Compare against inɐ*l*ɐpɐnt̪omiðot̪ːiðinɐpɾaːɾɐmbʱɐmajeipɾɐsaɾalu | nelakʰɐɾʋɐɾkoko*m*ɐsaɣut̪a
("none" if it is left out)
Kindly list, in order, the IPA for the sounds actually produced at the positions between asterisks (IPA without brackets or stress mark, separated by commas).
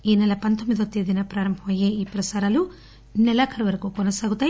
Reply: l, n